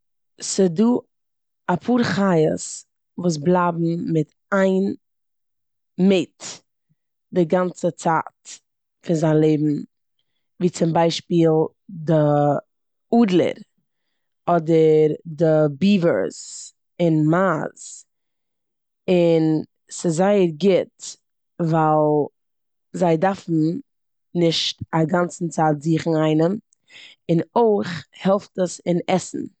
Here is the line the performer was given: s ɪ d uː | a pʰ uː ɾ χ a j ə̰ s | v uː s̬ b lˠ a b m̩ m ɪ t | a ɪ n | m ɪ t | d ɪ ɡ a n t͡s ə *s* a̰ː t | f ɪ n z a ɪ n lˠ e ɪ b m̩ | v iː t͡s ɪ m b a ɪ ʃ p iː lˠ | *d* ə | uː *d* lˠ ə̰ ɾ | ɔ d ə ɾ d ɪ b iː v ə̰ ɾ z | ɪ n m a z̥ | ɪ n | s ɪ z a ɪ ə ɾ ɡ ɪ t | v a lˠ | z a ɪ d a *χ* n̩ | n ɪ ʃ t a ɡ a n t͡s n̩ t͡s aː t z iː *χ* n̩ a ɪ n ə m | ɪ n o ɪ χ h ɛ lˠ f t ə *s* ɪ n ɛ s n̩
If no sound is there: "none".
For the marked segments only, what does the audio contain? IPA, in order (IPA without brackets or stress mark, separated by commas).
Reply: t͡s, d, d, f, χ, s